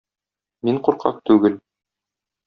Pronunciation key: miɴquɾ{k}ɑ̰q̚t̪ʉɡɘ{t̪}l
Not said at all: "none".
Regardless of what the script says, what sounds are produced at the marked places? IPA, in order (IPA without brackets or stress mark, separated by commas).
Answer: q, none